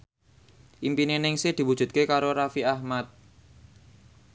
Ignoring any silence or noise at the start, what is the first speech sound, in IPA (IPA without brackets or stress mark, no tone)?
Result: ʔ